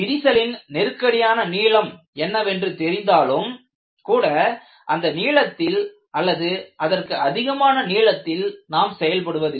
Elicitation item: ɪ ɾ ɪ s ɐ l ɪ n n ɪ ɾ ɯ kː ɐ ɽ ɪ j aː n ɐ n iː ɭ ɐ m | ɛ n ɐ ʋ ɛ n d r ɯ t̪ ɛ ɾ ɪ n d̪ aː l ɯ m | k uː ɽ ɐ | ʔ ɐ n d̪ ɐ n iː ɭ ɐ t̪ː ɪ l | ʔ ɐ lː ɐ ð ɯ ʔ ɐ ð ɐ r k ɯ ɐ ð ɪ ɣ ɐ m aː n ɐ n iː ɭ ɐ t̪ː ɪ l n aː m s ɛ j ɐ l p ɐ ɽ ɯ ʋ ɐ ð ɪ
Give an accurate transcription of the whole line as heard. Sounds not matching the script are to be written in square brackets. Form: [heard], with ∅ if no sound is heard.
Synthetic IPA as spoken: ɪ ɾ ɪ s ɐ l ɪ n n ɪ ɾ ɯ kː ɐ ɽ ɪ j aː n ɐ n iː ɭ ɐ m | ɛ [nː] ɐ ʋ ɛ n d r ɯ t̪ ɛ ɾ ɪ n d̪ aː l ɯ m | k uː ɽ ɐ | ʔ ɐ n d̪ ɐ n iː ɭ ɐ t̪ː ɪ l | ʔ ɐ lː ɐ ð ɯ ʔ ɐ ð ɐ r k ɯ ɐ ð ɪ ɣ ɐ m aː n ɐ n iː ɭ ɐ t̪ː ɪ l n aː m s ɛ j ɐ l p ɐ ɽ ɯ ʋ ɐ ð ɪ